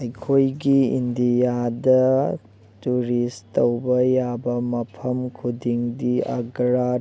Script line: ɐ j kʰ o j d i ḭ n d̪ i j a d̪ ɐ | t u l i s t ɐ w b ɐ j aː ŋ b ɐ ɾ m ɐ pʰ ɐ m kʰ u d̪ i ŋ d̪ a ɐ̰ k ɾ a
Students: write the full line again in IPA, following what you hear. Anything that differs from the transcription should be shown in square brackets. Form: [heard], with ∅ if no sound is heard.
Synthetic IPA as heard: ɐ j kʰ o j [ɡ] i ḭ n d̪ i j a d̪ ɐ | t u [ɾ] i s t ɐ w b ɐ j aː [∅] b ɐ [∅] m ɐ pʰ ɐ m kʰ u d̪ i ŋ d̪ [i] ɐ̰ [ɡ] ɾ a